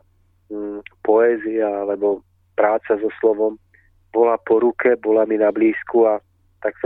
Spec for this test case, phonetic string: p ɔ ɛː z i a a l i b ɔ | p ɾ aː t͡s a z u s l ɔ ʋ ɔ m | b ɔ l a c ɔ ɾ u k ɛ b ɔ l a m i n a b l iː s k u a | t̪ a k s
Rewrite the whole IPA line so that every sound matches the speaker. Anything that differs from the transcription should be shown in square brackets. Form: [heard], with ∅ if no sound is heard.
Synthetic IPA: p ɔ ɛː z i a a l [ɛ] b ɔ | p ɾ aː t͡s a z [ɔ] s l ɔ ʋ ɔ m | b ɔ l a [p] ɔ ɾ u k ɛ b ɔ l a m i n a b l iː s k u a | t̪ a k s